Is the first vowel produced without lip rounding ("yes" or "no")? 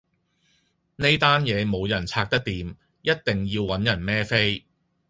yes